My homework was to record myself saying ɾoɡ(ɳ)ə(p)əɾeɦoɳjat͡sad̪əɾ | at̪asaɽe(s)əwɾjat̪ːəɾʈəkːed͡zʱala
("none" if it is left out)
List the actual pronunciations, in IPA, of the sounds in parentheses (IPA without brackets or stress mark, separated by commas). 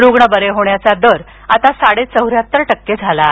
ɳ, b, t͡s